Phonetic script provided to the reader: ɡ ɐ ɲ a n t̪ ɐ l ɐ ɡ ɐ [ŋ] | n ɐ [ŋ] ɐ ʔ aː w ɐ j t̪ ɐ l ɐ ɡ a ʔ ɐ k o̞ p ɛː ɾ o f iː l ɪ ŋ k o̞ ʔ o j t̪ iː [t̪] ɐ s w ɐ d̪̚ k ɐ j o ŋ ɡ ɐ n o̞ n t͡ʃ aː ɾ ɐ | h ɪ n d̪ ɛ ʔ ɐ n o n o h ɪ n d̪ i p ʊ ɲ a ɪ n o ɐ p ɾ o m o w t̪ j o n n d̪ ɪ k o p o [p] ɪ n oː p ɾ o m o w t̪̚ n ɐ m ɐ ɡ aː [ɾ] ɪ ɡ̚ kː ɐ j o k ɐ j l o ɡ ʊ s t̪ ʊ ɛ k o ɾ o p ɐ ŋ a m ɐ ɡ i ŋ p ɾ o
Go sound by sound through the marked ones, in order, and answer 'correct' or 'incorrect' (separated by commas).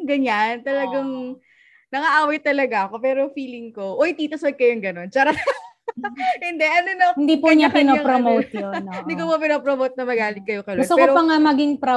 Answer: correct, correct, correct, correct, incorrect